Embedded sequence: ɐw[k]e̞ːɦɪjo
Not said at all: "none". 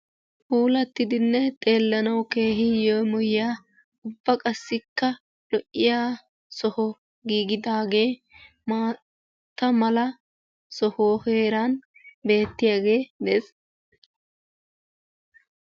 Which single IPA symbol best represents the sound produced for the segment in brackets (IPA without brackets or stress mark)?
k